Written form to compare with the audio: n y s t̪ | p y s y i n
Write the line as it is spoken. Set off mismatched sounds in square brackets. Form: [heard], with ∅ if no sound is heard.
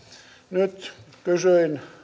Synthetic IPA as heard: n y [∅] t̪ | [k] y s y i n